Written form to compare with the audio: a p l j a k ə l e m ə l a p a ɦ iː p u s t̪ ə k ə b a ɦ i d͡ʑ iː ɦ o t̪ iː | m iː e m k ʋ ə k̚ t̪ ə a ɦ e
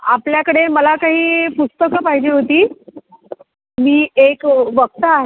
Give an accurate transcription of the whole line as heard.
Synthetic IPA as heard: a p l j a k ə ɽ e m ə l a k a ɦ iː p u s t̪ ə k ə p a ɦ i d͡ʑ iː ɦ o t̪ iː | m iː e k ʋ ə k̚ t̪ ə a ɦ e